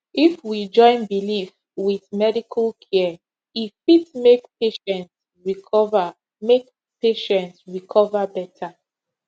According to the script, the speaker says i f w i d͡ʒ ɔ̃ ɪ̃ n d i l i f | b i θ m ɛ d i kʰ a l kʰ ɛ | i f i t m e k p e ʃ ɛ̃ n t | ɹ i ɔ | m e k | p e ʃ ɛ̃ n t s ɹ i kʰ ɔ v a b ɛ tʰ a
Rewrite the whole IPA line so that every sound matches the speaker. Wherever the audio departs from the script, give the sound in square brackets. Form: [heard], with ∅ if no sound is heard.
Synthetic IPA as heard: i f w i d͡ʒ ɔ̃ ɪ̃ n [b] i l i f | [w] i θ m ɛ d i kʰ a l kʰ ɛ | i f i t m e k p e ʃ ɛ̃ n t | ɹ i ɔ | m e k | p e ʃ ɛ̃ n t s ɹ i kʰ ɔ v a b ɛ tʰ a